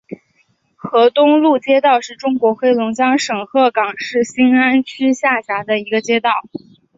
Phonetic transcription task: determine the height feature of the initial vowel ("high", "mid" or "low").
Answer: mid